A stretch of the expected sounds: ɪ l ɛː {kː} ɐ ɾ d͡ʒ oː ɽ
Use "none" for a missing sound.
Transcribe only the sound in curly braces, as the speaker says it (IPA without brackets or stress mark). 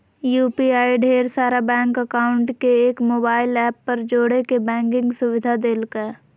pː